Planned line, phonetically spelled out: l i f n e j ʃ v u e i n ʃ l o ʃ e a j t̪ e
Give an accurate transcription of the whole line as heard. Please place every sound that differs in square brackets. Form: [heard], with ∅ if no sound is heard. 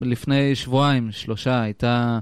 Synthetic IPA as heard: l i f n e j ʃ v u [a] i [m] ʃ l o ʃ [a] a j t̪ [a]